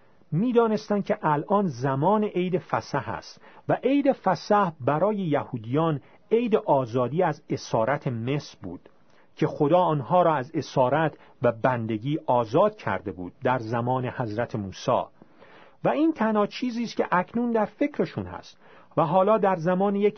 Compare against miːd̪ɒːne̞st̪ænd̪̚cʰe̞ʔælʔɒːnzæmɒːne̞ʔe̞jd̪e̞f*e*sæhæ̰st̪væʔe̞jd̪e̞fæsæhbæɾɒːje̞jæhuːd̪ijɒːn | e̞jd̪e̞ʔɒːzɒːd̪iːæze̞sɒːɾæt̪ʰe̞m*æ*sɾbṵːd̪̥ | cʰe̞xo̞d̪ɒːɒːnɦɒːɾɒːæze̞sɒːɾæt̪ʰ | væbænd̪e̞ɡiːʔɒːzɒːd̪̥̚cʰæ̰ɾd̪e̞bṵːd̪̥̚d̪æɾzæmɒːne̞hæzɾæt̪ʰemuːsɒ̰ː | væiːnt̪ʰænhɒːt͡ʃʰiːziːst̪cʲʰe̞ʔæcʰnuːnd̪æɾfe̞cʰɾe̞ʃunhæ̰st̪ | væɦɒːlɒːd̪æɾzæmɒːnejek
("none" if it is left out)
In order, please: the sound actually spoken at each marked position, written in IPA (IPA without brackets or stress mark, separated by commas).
æ, e